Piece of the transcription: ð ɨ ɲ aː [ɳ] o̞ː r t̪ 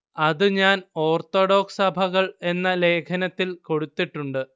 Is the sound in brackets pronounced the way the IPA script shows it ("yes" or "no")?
no